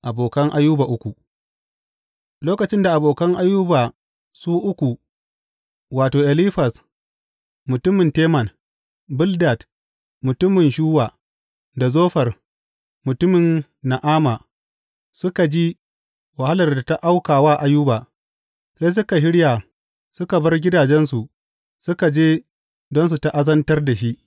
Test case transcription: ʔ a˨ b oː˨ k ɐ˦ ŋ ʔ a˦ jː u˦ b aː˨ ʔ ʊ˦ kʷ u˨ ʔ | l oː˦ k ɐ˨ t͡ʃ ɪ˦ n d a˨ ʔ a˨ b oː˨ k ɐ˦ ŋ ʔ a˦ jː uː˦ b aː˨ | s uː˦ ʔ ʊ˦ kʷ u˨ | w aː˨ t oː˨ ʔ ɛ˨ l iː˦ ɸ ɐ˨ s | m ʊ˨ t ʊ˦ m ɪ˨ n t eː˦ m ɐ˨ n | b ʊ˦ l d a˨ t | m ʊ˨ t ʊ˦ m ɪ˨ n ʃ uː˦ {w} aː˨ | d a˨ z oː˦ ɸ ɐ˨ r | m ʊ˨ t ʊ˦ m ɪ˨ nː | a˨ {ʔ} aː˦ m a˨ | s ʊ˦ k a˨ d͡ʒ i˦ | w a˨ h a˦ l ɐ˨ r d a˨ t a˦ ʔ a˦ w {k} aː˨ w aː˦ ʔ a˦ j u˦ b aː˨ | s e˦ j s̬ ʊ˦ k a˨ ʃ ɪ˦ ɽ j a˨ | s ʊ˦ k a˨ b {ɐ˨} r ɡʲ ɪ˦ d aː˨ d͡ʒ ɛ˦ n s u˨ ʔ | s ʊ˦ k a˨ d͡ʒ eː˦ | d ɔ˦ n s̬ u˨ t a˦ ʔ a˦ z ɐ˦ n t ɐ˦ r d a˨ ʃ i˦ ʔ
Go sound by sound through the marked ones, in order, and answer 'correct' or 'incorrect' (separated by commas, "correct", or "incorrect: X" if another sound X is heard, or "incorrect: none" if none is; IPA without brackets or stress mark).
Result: correct, correct, correct, incorrect: ɐ˦